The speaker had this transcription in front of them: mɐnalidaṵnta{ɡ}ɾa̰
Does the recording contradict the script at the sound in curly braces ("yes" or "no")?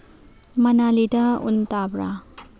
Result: yes